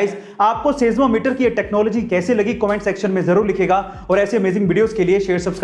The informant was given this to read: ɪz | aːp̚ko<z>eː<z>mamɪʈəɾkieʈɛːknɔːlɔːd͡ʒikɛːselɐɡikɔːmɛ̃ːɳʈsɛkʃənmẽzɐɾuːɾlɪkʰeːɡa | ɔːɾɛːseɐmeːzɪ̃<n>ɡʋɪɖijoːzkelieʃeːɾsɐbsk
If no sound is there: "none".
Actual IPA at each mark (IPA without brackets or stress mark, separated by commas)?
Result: s, z, ŋ